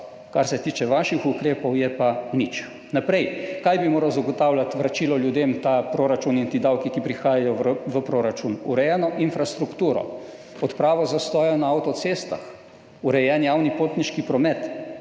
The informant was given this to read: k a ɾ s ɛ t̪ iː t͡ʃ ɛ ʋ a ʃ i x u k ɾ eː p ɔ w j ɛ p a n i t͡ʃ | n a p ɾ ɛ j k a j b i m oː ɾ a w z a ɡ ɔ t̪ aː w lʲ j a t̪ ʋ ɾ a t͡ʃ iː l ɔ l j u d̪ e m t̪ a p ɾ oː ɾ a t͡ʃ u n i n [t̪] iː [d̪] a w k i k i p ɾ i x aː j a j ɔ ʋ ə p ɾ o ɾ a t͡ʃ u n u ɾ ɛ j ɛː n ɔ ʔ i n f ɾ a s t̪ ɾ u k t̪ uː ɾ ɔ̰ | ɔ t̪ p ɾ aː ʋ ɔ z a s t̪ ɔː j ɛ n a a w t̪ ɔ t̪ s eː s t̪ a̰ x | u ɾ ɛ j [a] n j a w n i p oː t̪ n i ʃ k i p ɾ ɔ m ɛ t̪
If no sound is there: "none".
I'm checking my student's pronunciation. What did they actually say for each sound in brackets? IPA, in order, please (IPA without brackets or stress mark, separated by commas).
t̪, d̪, ɛ